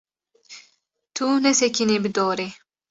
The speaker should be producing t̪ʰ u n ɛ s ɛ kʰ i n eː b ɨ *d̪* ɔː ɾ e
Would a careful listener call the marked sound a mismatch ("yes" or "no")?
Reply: no